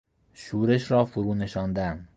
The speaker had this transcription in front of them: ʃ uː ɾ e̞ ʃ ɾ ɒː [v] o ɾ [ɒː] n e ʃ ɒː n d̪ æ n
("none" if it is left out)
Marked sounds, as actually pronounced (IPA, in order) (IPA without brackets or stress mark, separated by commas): f, uː